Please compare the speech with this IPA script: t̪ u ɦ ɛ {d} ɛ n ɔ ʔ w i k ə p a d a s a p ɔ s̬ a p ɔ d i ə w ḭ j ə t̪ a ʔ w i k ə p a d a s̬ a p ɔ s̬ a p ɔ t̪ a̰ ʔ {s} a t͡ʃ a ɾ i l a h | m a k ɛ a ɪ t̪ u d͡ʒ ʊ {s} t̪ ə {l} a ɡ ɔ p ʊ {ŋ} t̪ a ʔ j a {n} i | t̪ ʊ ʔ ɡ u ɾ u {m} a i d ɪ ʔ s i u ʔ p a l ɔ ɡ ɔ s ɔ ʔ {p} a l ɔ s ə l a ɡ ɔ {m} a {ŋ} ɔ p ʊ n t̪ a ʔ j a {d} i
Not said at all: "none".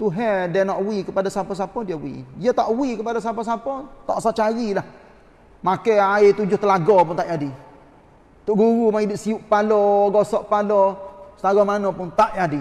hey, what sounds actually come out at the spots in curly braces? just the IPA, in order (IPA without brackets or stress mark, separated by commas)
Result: d, s, h, l, n, d, m, p, m, n, d